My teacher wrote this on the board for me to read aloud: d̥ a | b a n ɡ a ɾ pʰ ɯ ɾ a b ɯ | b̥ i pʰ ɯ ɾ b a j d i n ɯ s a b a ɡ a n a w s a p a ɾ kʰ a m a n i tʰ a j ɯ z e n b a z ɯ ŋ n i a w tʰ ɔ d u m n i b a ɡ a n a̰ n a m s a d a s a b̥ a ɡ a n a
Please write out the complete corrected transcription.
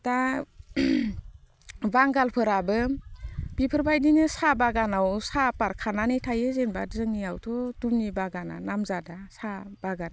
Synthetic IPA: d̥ a | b a ŋ ɡ a l pʰ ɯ ɾ a b ɯ | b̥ i pʰ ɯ ɾ b a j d i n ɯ s a b a ɡ a n a w s a p a ɾ kʰ a n a n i tʰ a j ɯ z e n b a z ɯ ŋ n i a w tʰ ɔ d u m n i b a ɡ a n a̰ n a m z a d a s a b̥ a ɡ a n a